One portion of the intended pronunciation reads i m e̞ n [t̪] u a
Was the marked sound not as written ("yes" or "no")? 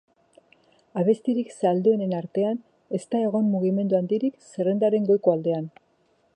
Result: yes